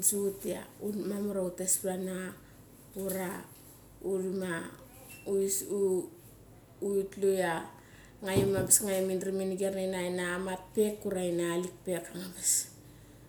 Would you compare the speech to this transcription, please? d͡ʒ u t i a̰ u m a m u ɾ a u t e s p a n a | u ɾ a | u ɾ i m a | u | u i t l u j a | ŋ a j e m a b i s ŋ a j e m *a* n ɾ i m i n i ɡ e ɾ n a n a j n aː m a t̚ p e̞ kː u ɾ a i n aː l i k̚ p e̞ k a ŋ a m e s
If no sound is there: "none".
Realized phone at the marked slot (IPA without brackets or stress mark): i